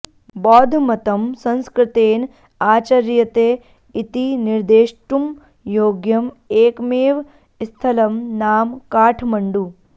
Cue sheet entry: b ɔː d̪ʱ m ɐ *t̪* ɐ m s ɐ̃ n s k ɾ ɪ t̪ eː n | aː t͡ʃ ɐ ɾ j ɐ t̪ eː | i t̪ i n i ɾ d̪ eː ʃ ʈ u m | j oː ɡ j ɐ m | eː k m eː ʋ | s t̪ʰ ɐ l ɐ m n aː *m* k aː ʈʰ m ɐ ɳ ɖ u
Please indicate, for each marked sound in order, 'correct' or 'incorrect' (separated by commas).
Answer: correct, correct